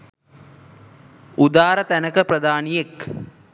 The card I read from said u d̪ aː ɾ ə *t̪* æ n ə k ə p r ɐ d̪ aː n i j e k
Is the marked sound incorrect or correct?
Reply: correct